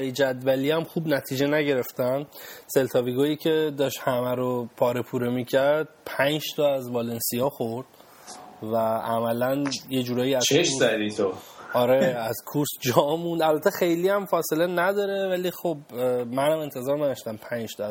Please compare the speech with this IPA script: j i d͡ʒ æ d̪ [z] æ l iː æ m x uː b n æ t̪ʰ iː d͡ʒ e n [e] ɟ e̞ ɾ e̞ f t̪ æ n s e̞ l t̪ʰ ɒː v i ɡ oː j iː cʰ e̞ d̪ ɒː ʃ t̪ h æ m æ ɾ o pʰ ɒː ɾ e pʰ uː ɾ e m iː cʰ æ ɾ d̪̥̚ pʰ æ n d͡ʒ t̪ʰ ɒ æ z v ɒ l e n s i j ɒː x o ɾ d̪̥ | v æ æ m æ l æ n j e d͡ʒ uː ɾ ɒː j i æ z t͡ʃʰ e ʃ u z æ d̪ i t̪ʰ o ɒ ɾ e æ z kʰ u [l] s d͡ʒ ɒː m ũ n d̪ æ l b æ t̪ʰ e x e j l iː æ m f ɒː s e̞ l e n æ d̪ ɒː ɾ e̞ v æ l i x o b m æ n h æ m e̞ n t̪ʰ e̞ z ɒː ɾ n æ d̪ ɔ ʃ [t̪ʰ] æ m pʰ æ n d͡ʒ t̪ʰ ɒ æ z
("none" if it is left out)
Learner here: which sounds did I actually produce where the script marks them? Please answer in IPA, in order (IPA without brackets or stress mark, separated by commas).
v, æ, ɾ, t̪